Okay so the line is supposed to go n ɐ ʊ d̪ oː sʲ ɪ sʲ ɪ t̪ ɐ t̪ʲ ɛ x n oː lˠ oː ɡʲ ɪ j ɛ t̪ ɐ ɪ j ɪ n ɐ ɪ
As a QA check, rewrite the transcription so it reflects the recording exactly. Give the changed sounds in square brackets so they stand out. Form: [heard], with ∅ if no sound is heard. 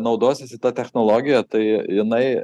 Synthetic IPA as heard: n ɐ ʊ d̪ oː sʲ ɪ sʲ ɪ t̪ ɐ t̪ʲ ɛ x n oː lˠ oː ɡʲ ɪ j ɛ t̪ ɐ ɪ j ɪ n ɐ ɪ